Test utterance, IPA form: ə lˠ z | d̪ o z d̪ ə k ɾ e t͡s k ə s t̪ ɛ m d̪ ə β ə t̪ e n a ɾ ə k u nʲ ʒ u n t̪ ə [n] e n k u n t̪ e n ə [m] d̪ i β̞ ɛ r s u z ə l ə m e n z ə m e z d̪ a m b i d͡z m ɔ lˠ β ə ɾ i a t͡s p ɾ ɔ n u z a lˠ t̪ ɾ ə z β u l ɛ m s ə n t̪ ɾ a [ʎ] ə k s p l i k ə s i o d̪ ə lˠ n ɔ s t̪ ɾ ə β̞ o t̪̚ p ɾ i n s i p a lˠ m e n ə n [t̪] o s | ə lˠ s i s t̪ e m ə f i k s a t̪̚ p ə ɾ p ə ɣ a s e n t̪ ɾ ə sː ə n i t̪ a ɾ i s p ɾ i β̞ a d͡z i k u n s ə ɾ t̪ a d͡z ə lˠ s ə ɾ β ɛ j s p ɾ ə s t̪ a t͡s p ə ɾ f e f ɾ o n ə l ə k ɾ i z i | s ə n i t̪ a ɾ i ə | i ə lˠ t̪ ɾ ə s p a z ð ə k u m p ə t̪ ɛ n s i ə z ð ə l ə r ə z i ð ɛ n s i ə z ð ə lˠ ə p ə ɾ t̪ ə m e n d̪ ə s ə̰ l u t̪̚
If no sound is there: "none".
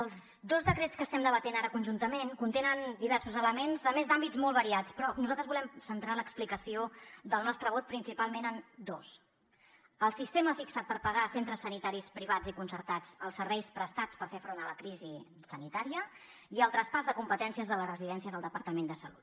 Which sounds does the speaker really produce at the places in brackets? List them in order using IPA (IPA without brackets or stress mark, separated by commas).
m, n, l, d̪